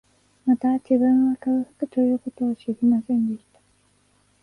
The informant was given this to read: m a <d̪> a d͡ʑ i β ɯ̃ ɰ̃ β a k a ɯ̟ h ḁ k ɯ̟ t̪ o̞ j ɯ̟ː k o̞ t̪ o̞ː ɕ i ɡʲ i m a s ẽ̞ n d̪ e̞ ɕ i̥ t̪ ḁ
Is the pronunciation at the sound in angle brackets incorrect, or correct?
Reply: incorrect